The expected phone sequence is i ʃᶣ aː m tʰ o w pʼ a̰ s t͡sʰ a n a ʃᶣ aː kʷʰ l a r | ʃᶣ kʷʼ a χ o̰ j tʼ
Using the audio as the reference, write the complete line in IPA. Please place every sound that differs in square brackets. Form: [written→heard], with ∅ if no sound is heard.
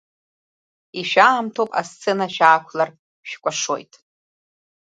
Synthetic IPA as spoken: i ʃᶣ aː m tʰ o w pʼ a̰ s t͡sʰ [a→e] n a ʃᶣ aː kʷʰ l a r | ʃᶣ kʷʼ a [χ→ʂ] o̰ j tʼ